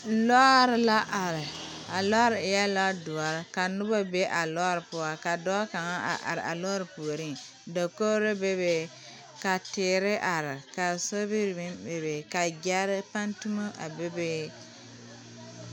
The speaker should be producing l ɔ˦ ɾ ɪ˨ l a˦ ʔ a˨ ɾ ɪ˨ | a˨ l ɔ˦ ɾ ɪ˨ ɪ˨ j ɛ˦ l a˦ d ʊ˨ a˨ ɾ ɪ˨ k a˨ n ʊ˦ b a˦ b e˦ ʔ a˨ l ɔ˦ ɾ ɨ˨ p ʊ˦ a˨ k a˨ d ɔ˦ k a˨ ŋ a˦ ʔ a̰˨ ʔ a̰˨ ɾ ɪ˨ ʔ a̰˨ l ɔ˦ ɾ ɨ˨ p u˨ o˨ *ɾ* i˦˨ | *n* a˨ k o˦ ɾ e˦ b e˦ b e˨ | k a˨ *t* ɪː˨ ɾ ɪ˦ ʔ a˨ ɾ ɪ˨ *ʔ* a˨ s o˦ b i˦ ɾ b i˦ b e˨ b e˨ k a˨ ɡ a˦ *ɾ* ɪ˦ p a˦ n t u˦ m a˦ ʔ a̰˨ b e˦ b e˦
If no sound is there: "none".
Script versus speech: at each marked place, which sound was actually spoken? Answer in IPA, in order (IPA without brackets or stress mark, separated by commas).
ɾ, d, t, k, ɾ